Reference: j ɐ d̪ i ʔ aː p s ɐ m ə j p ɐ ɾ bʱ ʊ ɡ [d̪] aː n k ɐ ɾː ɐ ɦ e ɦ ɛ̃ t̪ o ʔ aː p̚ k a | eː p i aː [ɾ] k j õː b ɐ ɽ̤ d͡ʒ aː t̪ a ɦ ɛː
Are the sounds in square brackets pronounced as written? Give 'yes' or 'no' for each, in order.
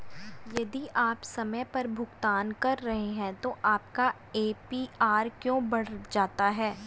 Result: no, yes

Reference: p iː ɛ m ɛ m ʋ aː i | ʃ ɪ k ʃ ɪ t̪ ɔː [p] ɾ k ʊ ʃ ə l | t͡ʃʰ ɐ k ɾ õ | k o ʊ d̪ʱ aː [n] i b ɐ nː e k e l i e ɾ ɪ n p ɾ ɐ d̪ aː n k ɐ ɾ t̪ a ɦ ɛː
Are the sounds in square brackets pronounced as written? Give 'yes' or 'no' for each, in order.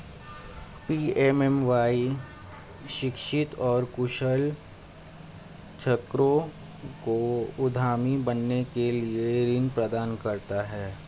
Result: no, no

